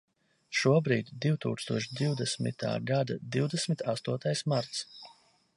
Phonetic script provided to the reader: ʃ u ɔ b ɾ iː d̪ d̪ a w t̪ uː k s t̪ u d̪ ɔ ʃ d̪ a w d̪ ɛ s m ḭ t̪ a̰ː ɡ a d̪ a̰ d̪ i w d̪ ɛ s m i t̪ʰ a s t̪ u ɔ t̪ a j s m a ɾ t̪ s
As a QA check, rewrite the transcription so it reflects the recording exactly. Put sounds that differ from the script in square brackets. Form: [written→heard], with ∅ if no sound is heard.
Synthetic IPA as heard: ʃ u ɔ b ɾ iː d̪ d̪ [a→i] w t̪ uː k s t̪ u [d̪→∅] ɔ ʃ d̪ [a→i] w d̪ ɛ s m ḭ t̪ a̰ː ɡ a d̪ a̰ d̪ i w d̪ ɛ s m i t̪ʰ a s t̪ u ɔ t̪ a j s m a ɾ t̪ s